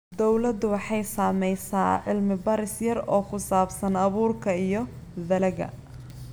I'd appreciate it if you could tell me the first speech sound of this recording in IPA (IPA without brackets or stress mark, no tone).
d̪